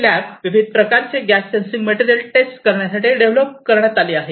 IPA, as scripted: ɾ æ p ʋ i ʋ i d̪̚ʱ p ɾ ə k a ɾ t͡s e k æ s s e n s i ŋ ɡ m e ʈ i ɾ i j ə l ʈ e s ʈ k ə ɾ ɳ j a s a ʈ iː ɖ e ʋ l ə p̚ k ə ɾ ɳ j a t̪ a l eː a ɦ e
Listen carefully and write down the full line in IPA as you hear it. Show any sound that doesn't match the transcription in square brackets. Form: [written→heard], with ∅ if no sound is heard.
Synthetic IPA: [ɾ→l] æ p ʋ i ʋ i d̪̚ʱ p ɾ ə k a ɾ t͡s e [k→ɡ] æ s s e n s i ŋ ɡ m e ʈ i ɾ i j ə l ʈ e s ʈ k ə ɾ ɳ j a s a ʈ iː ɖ e ʋ l ə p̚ k ə ɾ ɳ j a t̪ a l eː a ɦ e